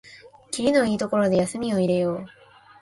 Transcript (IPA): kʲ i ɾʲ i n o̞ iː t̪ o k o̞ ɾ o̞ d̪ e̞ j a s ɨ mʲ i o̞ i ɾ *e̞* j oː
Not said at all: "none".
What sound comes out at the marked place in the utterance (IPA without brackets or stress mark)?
e̞